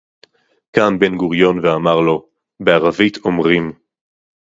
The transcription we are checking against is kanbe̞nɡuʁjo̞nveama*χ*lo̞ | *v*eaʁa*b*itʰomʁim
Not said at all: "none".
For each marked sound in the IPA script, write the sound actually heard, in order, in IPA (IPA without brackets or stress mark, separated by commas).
ʁ, b, v